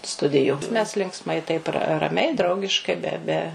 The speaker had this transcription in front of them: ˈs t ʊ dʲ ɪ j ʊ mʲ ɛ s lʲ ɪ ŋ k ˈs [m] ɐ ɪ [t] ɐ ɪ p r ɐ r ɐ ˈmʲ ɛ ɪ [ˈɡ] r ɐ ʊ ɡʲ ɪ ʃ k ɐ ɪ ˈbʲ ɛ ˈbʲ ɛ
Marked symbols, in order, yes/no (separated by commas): yes, yes, no